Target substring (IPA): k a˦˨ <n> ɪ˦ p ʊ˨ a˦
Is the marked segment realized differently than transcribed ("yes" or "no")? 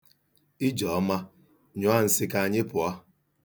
yes